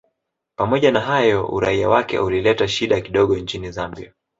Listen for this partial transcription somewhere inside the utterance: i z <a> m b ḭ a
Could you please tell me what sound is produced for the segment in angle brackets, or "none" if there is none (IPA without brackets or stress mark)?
a